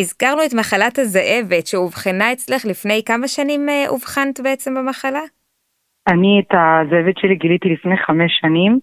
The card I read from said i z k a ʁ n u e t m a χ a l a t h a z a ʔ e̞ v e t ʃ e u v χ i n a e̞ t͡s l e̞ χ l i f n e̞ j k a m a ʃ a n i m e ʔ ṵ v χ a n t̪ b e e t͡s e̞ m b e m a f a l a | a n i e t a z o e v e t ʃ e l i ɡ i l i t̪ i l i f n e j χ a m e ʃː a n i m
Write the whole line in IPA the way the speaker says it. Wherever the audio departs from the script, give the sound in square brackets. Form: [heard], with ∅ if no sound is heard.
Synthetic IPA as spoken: i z k a ʁ n u e t m a χ a l a t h a z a ʔ e̞ v e t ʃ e u v χ i n a e̞ t͡s l e̞ χ l i f n e̞ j k a m a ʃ a n i m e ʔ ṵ v χ a n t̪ b e e t͡s e̞ m b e m a [χ] a l a | a n i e t a z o e v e t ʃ e l i ɡ i l i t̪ i l i f n e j χ a m e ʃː a n i m